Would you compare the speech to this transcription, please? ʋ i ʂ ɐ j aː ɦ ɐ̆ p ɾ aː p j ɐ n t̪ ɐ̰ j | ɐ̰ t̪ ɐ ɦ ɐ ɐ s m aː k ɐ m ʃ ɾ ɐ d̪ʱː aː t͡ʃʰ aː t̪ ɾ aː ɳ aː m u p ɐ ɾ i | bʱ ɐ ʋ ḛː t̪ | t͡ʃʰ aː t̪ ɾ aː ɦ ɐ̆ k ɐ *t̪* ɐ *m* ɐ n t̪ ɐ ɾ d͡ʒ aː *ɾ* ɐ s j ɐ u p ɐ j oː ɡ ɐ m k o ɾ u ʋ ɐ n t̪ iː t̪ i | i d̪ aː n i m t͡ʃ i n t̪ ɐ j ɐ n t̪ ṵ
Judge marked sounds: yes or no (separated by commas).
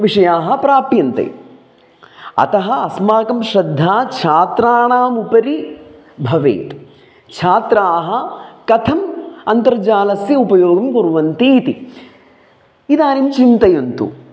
no, yes, no